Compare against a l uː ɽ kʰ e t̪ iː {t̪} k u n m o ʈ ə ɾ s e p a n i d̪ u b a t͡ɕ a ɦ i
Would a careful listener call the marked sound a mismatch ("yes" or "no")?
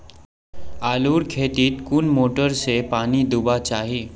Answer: no